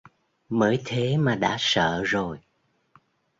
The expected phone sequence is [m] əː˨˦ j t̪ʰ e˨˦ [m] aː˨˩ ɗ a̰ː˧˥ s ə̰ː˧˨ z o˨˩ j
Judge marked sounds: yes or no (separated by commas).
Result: yes, yes